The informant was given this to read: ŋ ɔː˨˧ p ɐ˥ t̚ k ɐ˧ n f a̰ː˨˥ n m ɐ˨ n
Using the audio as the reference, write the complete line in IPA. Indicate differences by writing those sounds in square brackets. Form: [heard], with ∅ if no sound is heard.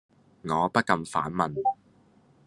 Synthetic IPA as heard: ŋ ɔː˨˧ p ɐ˥ t̚ k ɐ˧ [m] f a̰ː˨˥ n m ɐ˨ n